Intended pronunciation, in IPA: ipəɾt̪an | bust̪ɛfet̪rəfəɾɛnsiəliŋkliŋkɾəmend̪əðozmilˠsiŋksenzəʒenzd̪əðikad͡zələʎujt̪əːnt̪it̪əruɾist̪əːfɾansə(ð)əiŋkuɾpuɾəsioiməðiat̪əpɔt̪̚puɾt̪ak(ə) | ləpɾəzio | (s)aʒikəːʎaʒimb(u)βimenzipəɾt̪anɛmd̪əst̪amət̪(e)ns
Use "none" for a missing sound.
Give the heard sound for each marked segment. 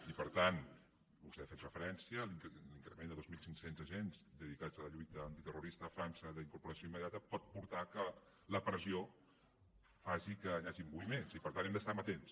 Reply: ð, ə, f, u, e

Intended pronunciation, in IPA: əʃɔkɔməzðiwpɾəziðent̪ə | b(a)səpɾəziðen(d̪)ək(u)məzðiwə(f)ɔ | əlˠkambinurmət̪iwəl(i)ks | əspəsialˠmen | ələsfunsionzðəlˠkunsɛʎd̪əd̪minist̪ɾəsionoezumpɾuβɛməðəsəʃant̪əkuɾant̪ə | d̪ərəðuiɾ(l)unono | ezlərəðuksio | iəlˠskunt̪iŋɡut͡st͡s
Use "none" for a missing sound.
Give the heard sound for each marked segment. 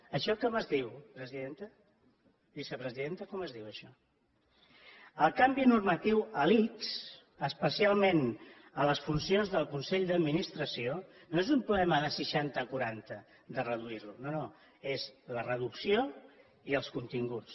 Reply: i, t̪, ɔ, ʃ, i, l

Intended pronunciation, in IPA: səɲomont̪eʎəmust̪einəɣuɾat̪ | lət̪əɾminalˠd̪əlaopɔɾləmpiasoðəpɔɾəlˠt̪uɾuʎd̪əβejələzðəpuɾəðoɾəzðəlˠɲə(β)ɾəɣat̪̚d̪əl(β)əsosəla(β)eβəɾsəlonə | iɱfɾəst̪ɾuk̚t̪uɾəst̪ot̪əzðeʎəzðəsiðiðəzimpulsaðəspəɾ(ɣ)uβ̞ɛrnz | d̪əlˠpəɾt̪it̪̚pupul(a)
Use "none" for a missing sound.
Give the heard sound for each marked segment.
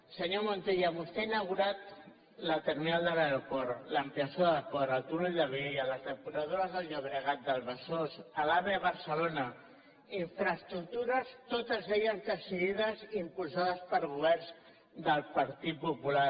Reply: β, β, β, ɣ, a

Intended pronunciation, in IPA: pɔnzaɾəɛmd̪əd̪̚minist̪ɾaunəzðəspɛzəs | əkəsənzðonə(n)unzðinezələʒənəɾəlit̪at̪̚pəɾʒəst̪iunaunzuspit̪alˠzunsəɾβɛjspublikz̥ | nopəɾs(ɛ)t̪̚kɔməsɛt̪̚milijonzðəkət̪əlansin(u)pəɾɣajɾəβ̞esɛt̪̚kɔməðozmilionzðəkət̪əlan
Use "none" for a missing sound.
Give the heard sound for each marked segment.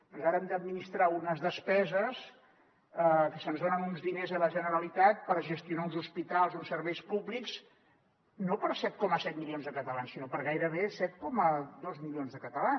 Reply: n, ɛ, o

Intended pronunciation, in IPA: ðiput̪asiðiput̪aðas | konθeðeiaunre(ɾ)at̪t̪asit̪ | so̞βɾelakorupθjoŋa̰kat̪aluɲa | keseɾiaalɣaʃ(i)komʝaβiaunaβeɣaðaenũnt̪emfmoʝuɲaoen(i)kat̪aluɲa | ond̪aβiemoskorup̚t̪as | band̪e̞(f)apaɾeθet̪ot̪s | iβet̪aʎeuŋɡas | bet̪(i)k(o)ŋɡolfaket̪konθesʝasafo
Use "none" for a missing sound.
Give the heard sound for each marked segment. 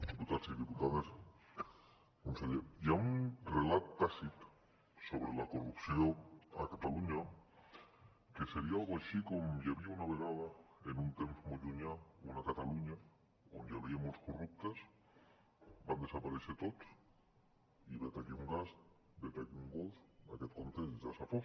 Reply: l, i, a, s, a, u

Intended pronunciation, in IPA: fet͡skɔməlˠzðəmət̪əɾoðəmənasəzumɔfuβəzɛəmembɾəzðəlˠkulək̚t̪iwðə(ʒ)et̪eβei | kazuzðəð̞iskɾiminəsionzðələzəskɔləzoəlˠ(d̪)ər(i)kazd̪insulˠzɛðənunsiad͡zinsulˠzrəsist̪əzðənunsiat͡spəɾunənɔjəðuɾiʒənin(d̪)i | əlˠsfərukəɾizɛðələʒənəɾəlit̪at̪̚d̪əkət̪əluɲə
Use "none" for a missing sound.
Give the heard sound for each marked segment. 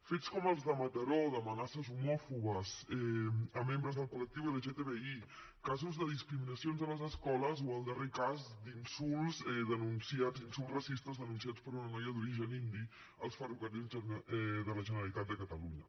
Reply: ʒ, d̪, e, d̪

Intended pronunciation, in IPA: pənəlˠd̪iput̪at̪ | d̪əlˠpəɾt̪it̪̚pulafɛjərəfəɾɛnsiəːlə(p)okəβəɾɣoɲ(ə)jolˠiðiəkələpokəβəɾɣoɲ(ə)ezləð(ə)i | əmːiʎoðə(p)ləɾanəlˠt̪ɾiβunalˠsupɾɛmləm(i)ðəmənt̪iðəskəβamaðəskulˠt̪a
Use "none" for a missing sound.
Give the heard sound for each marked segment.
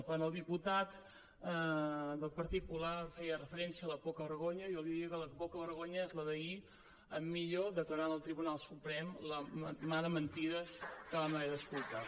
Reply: p, ə, ə, ə, k, a

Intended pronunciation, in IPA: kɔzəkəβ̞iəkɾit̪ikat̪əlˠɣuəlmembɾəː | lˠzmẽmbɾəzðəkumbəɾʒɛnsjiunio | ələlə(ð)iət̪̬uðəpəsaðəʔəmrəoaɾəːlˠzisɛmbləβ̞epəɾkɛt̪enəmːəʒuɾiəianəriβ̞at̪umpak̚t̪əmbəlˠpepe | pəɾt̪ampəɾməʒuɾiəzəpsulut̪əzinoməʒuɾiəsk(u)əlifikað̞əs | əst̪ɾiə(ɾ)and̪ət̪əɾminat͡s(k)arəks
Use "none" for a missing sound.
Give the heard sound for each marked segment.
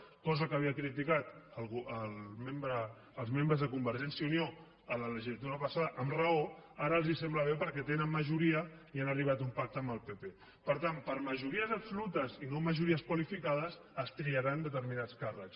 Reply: ʒ, w, ɾ, k

